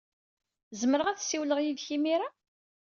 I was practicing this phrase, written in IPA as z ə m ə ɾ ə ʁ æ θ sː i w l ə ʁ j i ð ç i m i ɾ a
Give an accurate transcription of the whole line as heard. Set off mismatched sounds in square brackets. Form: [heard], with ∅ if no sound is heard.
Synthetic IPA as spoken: z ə m ə ɾ ə ʁ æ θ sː i w l ə ʁ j i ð ç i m i ɾ a

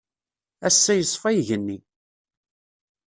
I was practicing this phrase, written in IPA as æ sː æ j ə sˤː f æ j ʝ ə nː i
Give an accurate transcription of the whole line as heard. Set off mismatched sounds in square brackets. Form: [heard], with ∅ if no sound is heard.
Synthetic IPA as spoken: æ sː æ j ə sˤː f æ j ʝ ə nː i

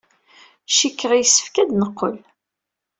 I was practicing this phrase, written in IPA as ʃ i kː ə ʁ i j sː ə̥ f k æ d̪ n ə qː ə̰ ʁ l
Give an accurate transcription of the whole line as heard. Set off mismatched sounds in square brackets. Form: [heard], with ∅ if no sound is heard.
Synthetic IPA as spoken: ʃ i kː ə ʁ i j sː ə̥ f k æ d̪ n ə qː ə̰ [∅] l

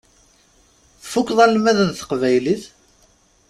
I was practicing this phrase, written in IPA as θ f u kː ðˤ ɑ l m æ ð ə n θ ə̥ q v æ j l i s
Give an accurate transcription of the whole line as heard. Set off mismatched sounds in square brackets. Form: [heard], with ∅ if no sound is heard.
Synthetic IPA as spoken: θ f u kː ðˤ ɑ l m æ ð ə n θ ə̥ q v æ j l i [θ]

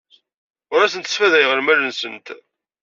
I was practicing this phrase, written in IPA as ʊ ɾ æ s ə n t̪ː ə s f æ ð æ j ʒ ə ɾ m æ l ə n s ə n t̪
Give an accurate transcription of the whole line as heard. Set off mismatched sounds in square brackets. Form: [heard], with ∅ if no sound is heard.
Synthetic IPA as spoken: ʊ ɾ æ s ə n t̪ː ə s f æ ð æ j [ʁ] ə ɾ m æ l ə n s ə n t̪

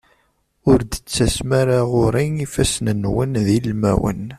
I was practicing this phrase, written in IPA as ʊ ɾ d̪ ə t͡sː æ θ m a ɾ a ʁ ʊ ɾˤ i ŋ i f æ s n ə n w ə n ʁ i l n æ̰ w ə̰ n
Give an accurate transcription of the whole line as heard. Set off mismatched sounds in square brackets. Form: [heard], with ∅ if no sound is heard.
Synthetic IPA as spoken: ʊ ɾ d̪ ə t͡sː æ [s] m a ɾ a ʁ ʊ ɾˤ i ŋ i f æ s n ə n w ə n [ð] i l [m] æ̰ w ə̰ n

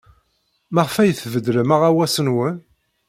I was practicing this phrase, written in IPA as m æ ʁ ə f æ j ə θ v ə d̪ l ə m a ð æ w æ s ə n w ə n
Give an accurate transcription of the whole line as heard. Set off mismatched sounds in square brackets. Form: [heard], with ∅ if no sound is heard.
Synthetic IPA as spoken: m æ ʁ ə f æ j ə θ v ə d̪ l ə m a [ʁ] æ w æ s ə n w ə n

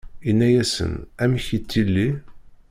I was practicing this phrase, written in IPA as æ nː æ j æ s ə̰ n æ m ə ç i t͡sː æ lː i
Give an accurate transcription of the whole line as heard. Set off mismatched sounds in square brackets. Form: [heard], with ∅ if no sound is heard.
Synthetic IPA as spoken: [i] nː æ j æ s ə̰ n æ m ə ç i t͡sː [i] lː i

